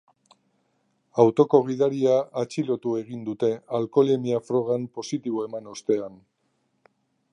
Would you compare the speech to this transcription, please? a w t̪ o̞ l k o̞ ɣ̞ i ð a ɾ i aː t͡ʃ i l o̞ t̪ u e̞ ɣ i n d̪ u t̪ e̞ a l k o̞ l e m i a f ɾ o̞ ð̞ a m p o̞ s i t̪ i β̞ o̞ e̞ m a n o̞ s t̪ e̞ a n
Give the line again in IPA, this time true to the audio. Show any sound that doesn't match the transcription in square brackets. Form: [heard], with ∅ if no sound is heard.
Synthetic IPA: a w t̪ o̞ [∅] k o̞ ɣ̞ i ð a ɾ i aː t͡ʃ i l o̞ t̪ u e̞ ɣ i n d̪ u t̪ e̞ a l k o̞ l e m i a f ɾ o̞ [ɣ̞] a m p o̞ s i t̪ i β̞ o̞ e̞ m a n o̞ s t̪ e̞ a n